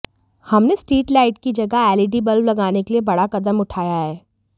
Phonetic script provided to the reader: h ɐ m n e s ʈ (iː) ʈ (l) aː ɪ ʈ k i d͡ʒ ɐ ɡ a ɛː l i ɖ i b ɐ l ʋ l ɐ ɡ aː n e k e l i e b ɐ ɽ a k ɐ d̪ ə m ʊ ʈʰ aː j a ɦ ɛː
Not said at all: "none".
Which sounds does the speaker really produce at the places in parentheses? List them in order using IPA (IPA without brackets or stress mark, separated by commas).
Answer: iː, l